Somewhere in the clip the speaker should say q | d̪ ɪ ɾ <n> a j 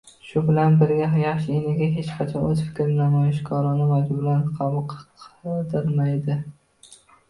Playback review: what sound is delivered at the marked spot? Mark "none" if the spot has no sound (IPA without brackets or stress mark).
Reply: m